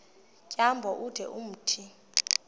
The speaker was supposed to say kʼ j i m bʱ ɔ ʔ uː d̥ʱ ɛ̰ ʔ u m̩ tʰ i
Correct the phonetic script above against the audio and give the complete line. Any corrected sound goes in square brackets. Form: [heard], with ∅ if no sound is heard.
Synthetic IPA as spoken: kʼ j [a] m bʱ ɔ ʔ [u] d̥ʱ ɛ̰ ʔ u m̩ tʰ i